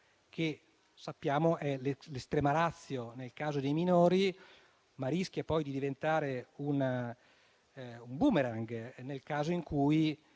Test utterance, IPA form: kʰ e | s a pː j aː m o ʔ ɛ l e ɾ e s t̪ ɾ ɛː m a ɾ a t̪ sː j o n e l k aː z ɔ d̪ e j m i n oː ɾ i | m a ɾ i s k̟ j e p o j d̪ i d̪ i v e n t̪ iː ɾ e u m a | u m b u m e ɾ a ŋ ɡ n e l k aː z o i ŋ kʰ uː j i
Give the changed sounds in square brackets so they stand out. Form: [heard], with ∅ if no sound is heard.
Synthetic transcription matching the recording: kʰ e | s a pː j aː m o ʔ ɛ l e [l] e s t̪ ɾ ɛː m a ɾ a t̪ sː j o n e l k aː z [o] d̪ e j m i n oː ɾ i | m a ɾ i s k̟ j [a] p [ɔ] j d̪ i d̪ i v e n t̪ [aː] ɾ e u [n] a | u m b u m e ɾ a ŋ ɡ n e l k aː z o i ŋ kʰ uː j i